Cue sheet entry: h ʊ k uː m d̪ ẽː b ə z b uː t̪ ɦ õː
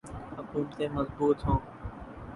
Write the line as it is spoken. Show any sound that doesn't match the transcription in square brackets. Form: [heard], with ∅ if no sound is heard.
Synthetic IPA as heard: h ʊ k uː m [t̪] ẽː [m] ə z b uː t̪ ɦ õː